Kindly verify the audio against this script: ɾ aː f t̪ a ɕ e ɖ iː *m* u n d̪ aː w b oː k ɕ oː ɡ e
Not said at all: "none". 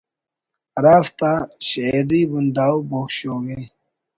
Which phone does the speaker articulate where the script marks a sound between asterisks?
b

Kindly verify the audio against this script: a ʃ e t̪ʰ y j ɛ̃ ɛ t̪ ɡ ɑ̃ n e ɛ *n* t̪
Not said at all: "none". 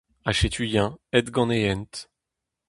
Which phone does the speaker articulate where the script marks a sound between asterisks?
n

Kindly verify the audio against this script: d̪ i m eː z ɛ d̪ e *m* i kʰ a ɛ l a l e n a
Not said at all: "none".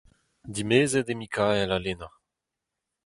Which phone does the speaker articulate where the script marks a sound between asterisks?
m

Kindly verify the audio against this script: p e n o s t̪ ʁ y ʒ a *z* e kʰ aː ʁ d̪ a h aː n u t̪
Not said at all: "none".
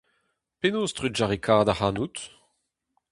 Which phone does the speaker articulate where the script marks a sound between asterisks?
ʁ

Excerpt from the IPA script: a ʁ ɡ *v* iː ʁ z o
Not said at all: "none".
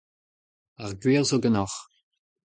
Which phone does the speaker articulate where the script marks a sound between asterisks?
w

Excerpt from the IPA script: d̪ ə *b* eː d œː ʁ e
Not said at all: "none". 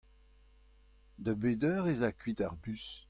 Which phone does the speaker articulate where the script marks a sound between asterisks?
b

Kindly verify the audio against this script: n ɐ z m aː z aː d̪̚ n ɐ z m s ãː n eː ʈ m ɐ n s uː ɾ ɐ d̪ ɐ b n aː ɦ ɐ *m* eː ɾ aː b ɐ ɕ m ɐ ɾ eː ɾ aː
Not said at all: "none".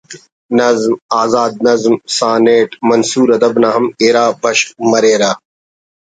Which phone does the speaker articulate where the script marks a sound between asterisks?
m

